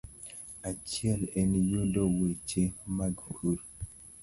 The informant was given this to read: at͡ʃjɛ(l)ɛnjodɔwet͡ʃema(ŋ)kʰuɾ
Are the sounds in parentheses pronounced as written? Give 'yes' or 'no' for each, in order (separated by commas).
yes, no